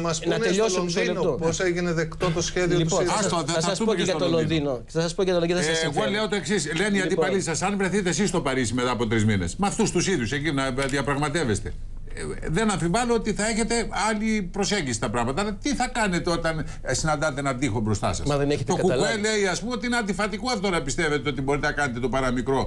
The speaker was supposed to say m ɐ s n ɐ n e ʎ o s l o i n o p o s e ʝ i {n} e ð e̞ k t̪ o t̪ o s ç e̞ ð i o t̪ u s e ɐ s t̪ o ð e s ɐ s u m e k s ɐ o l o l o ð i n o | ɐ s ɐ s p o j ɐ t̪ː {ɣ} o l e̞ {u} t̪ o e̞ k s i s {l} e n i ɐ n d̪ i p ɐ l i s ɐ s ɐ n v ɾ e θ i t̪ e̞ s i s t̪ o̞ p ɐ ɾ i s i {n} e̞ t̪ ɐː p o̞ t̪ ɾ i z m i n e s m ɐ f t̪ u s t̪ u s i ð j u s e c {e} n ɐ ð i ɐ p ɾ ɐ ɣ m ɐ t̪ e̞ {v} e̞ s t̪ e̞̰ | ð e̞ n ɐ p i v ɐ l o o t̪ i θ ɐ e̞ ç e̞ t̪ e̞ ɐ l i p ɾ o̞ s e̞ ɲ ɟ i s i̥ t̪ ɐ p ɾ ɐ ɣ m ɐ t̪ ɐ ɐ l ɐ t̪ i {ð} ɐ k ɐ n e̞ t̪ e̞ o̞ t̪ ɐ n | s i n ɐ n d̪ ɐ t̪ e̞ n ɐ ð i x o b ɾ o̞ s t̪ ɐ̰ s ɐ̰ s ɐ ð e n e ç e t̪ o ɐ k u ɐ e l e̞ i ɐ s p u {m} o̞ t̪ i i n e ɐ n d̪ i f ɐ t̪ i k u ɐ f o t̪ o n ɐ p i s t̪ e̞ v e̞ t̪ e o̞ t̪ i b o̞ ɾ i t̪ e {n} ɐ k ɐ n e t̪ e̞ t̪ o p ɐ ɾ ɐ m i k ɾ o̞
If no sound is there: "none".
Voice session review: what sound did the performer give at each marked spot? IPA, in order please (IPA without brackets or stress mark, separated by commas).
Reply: n, ɣ, o, l, m, i, v, θ, m, n